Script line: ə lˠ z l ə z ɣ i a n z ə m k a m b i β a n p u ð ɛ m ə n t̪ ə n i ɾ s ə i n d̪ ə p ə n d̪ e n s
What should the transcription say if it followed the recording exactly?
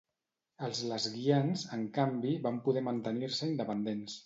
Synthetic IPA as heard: ə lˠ z l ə z ɣ i a n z ə ŋ k a m b i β a m p u ð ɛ m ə n t̪ ə n i ɾ s ə i n d̪ ə p ə n d̪ e n s